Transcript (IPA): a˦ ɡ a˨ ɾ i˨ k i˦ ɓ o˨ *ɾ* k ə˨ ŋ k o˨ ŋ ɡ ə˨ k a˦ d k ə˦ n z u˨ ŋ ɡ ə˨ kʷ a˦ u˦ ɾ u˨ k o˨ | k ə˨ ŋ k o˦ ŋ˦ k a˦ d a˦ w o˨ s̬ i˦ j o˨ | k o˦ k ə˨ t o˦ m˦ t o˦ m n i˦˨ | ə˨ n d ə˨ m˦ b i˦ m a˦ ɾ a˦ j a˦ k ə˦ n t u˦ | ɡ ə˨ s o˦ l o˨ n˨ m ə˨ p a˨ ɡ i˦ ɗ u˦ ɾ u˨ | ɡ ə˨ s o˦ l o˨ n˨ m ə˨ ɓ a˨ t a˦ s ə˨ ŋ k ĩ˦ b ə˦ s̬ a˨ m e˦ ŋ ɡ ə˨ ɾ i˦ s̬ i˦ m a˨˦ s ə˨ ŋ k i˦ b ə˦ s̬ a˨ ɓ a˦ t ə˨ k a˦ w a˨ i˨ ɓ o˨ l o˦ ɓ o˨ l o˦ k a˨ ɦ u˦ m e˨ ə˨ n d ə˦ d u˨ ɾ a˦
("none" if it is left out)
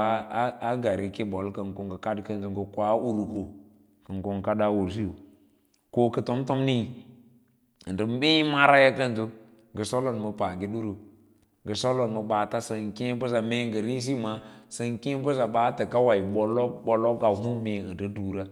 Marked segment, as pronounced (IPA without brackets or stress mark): l